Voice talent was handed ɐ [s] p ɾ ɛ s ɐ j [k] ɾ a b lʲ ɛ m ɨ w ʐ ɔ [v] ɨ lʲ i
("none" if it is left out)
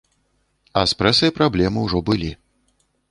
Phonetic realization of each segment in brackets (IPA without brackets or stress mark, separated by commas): s, p, b